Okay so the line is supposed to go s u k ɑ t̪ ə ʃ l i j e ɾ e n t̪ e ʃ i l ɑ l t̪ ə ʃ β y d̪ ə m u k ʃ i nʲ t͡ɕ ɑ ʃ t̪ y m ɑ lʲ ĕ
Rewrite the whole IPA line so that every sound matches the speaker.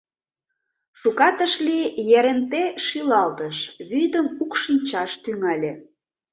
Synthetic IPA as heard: ʃ u k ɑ t̪ ə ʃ l i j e ɾ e n t̪ e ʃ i l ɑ l t̪ ə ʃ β y d̪ ə m u k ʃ i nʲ t͡ɕ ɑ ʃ t̪ y ŋ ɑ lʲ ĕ